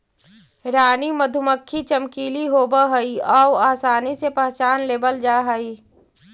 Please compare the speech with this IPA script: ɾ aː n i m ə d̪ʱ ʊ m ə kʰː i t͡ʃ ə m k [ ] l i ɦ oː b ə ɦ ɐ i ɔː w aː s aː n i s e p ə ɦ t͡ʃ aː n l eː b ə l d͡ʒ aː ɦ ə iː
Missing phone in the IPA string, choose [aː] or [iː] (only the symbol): iː